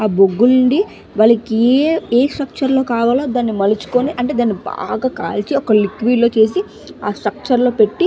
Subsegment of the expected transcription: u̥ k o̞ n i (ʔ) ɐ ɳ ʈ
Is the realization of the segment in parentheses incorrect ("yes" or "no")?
no